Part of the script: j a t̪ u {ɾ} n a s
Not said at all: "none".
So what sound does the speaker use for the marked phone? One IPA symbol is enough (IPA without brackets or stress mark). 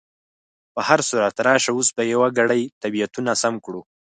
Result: none